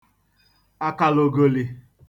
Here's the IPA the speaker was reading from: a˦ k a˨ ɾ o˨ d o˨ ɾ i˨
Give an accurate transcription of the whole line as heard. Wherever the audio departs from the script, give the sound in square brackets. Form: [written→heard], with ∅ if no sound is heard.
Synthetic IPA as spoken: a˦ k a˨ [ɾ→l] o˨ [d→ɡ] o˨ [ɾ→l] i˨